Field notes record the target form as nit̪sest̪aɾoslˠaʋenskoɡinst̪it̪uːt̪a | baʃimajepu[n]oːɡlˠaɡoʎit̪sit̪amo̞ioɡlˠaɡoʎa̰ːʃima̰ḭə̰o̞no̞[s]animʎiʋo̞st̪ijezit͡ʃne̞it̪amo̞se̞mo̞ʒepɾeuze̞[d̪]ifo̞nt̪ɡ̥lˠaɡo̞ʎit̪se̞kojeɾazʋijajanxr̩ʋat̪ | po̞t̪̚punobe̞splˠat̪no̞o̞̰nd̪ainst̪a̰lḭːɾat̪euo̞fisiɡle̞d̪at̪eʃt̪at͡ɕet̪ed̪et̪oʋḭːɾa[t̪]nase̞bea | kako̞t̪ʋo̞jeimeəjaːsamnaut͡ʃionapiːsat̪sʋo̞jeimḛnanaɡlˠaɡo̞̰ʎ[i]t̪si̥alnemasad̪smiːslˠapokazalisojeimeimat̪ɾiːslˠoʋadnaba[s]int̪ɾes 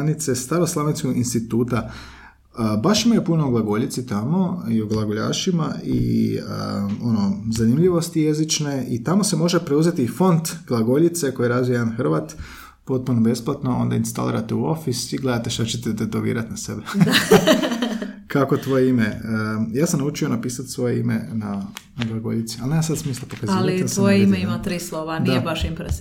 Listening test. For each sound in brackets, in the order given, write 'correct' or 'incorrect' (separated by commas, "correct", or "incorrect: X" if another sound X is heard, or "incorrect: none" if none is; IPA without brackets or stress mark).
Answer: correct, incorrect: z, incorrect: t̪, correct, correct, incorrect: ʃ